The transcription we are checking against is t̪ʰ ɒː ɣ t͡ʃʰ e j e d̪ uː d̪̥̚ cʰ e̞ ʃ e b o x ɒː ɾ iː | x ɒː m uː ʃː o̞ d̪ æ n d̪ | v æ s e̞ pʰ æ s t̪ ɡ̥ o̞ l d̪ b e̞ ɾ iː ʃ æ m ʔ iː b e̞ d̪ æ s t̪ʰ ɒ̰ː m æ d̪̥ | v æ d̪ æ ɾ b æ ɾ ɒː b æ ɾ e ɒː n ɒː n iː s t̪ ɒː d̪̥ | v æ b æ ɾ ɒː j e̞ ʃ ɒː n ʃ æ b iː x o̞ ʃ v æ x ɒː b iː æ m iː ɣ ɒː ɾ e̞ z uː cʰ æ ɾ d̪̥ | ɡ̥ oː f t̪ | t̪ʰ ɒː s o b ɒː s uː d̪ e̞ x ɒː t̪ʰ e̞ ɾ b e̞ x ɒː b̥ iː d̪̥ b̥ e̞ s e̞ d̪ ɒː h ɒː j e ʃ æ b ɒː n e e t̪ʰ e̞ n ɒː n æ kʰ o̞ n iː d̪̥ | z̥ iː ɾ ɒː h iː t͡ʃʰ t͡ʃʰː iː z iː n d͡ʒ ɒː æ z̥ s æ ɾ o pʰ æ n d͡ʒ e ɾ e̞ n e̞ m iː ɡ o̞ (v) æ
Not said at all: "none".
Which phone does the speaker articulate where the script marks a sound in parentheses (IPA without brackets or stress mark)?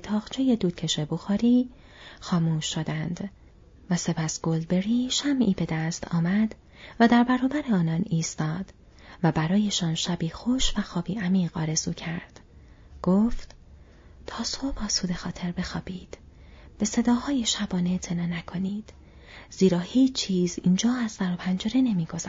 z